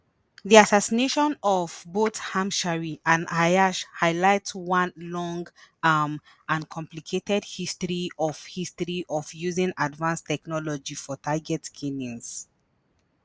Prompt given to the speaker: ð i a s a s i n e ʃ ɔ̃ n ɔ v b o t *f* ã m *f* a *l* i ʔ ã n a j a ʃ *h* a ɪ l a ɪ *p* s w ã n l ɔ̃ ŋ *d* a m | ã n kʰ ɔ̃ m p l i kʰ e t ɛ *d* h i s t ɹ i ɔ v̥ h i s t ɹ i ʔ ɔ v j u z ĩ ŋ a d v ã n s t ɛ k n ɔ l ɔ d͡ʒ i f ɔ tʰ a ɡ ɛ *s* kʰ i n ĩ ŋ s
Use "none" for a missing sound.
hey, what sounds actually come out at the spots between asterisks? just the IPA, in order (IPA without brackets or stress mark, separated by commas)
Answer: h, ʃ, ɹ, h, t, ɡ, d, t